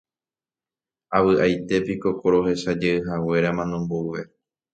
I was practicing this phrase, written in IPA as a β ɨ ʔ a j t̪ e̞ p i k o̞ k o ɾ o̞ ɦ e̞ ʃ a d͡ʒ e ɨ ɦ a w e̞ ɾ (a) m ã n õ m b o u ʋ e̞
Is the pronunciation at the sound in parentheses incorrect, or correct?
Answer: correct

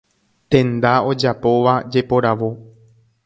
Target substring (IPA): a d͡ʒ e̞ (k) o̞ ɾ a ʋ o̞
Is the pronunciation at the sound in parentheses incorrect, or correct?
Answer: incorrect: p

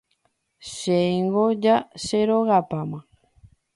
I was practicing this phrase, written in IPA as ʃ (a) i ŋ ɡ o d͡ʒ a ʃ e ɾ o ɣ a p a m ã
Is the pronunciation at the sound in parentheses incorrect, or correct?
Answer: incorrect: e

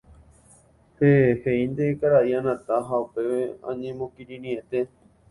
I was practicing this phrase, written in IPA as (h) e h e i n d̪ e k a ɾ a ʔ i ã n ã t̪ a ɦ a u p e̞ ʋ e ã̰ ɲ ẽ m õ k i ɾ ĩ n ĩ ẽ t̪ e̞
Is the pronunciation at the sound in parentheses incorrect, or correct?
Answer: correct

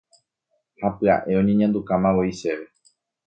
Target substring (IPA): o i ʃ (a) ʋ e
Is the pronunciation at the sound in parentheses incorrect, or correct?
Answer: incorrect: e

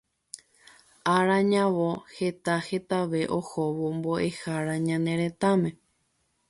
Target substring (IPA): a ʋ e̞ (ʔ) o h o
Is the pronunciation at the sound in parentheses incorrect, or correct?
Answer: correct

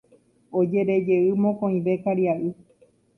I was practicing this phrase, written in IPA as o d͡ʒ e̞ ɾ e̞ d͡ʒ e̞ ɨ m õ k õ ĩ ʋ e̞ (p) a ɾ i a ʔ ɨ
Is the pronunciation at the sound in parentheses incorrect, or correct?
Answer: incorrect: k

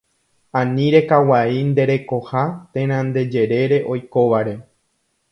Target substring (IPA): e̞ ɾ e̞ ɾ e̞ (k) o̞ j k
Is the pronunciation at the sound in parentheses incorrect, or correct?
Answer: incorrect: ʔ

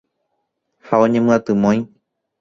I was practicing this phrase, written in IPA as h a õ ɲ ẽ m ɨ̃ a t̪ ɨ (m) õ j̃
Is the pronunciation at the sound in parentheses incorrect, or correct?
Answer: correct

